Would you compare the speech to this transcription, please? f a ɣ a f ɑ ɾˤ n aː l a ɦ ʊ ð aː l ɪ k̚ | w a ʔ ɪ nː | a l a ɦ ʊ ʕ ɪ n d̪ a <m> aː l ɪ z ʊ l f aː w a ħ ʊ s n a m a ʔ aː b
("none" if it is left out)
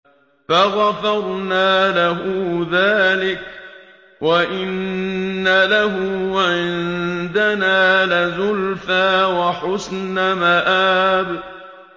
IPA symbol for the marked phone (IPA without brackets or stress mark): n